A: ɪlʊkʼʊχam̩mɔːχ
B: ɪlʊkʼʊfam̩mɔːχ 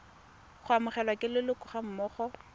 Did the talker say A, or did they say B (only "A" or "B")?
A